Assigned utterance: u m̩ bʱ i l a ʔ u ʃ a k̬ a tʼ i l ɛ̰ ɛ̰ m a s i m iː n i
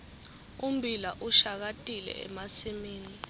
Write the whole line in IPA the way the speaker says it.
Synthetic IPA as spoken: u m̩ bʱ i l a ʔ u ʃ a k̬ a tʼ i l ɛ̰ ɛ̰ m a s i m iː n i